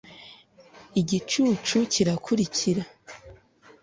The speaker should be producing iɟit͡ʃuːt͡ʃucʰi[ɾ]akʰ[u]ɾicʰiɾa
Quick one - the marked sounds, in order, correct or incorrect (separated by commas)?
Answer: correct, correct